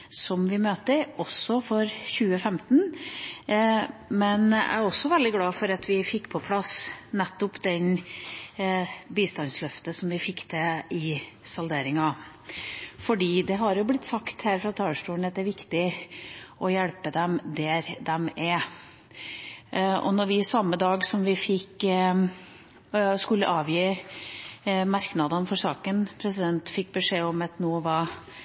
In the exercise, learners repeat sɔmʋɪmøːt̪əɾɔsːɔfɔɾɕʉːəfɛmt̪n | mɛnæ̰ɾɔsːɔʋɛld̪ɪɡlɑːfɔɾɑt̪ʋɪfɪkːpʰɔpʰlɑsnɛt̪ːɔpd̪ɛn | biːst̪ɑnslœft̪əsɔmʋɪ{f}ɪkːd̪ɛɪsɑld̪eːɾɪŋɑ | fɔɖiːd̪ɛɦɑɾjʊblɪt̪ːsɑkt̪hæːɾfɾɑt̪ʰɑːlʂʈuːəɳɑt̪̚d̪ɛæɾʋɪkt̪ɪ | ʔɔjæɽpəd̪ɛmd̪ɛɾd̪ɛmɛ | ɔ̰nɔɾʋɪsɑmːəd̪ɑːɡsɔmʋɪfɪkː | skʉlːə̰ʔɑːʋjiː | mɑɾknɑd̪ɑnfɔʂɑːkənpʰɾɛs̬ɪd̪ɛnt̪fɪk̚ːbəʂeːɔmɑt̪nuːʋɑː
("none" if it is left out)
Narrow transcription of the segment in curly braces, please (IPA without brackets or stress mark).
f